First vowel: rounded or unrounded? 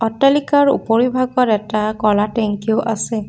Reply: rounded